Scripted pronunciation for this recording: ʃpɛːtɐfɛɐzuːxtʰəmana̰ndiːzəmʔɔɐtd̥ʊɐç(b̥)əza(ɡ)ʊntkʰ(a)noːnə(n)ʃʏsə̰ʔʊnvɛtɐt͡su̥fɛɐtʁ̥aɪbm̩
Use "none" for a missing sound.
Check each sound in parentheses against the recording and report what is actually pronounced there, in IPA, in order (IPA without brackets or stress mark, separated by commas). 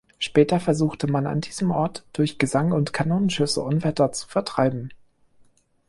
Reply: ɡ̥, ŋ, a, n